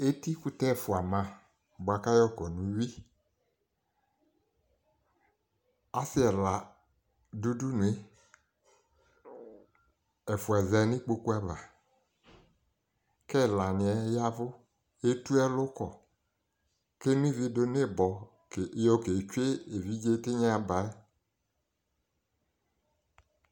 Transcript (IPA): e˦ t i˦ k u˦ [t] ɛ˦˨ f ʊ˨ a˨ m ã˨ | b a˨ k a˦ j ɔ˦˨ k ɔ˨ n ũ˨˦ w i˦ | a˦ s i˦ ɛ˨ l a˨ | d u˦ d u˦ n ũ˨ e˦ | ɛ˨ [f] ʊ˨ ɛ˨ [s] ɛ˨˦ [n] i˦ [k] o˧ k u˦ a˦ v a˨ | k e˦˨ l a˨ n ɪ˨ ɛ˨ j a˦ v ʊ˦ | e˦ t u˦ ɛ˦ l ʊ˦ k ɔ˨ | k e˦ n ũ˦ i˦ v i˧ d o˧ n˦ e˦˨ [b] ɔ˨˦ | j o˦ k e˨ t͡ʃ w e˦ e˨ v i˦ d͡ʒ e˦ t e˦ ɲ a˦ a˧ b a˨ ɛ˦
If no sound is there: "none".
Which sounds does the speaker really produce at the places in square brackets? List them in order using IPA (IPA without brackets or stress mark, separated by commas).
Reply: t, f, z, n, k͡p, b